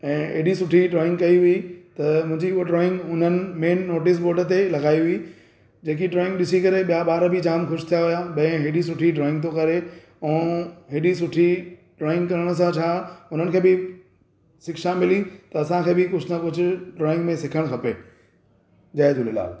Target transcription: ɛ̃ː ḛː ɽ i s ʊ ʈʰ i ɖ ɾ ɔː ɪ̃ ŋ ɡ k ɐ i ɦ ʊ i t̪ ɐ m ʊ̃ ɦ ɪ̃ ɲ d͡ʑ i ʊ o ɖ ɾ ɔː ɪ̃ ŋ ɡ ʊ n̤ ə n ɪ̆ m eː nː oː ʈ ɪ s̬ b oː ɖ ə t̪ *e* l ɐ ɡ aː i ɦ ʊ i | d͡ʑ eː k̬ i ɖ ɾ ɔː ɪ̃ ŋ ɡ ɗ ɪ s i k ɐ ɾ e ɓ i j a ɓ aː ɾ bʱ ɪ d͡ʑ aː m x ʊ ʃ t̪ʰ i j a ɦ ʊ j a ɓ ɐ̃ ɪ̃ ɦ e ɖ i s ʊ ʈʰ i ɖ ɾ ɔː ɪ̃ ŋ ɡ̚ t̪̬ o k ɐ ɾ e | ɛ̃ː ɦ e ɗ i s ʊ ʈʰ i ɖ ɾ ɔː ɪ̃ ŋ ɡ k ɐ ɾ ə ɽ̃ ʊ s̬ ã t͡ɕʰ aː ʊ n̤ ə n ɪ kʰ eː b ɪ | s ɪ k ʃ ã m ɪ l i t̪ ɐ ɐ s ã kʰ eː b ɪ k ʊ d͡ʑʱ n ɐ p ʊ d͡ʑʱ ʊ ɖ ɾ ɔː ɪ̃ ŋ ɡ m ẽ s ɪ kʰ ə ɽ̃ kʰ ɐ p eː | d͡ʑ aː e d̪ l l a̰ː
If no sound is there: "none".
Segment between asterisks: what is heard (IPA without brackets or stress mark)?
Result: e